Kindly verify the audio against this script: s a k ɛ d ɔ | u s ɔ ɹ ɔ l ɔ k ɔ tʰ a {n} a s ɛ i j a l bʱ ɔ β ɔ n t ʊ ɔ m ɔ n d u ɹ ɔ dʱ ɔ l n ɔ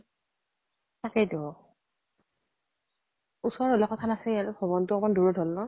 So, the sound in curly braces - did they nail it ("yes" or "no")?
yes